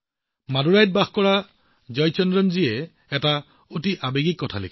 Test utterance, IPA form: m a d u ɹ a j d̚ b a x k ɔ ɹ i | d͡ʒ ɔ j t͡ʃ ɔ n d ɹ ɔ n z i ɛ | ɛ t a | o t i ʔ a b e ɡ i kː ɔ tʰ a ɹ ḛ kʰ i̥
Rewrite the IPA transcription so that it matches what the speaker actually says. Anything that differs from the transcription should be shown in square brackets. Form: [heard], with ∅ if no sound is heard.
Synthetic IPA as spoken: m a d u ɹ a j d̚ b a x k ɔ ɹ [a] | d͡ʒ ɔ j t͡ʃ ɔ n d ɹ ɔ n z i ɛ | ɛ t a | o t i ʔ a b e ɡ i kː ɔ tʰ a [l] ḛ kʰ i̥

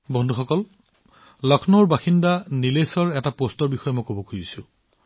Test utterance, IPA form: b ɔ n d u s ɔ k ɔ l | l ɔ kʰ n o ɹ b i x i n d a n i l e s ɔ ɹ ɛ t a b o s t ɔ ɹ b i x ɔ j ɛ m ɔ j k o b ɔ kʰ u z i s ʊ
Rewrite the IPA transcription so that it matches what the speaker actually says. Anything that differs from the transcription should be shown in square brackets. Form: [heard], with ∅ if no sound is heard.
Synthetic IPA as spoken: b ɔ n d u [x] ɔ k ɔ l | l ɔ kʰ n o ɹ b [a] x i n d a n i l e s ɔ ɹ ɛ t a [p] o s t ɔ ɹ b i x ɔ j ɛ m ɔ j k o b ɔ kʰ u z i s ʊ

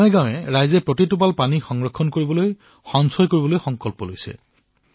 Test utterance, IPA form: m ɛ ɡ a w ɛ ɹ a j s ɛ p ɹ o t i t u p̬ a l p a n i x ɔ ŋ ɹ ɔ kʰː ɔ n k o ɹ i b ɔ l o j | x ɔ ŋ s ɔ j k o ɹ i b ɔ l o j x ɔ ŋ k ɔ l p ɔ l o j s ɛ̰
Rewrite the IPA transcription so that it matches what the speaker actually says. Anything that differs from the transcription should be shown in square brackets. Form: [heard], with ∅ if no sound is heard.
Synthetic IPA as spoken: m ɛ ɡ a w ɛ ɹ a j [z] ɛ p ɹ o t i t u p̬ a l p a n i x ɔ ŋ ɹ ɔ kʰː ɔ n k o ɹ i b ɔ l o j | x ɔ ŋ s ɔ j k o ɹ i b ɔ l o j x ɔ ŋ k ɔ l p ɔ l o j s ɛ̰

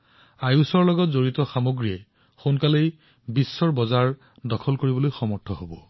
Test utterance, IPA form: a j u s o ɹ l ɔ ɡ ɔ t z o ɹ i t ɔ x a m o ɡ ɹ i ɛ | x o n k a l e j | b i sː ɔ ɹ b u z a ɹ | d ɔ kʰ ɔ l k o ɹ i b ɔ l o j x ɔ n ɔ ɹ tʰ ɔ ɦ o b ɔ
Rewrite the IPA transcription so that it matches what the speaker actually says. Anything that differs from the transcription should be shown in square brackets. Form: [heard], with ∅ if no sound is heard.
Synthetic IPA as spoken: a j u s [ɔ] ɹ l ɔ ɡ ɔ t z o ɹ i t ɔ x a m o ɡ ɹ i ɛ | x o n k a l e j | b i sː ɔ ɹ b [ɔ] z a ɹ | d ɔ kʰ ɔ l k o ɹ i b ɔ l o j x ɔ [m] ɔ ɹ tʰ ɔ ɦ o b ɔ

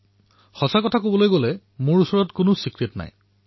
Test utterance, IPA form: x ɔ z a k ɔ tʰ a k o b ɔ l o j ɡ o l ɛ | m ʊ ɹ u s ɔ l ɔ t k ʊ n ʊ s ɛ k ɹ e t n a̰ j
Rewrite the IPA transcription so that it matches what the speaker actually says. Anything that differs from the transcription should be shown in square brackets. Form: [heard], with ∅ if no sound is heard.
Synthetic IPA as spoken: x ɔ [s] a k ɔ tʰ a k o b ɔ l o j ɡ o l ɛ | m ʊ ɹ u s ɔ [ɹ] ɔ t k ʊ n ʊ s [i] k ɹ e t n a̰ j

